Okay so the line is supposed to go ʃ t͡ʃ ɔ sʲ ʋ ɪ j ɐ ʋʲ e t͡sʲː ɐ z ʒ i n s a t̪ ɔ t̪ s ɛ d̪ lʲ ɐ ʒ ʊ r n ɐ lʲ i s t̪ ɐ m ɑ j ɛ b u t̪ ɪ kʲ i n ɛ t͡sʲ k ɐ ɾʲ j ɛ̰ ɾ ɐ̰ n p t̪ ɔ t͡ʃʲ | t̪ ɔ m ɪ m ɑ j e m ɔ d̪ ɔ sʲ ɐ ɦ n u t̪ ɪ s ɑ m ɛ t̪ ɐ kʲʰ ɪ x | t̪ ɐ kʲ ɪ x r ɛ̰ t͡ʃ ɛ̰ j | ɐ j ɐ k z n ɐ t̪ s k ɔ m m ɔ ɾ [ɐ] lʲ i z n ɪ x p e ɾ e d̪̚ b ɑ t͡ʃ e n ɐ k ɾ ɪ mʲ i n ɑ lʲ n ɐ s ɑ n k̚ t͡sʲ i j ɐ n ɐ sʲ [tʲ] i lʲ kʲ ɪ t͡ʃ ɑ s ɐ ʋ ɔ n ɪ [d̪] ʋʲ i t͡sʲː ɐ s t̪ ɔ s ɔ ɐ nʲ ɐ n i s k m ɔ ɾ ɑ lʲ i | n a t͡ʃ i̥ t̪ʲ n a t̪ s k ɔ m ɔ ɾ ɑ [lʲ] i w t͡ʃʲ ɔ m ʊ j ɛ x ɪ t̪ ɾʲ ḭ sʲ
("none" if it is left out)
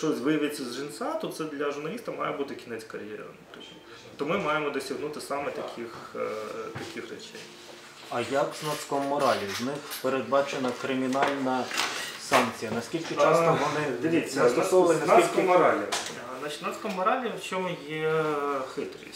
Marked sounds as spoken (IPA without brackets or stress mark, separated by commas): ɑ, kʲ, d̪, lʲ